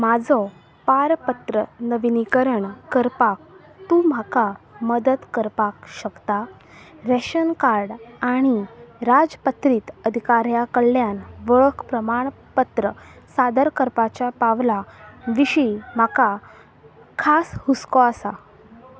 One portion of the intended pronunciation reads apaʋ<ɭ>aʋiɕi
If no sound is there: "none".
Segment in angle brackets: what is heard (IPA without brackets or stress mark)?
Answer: l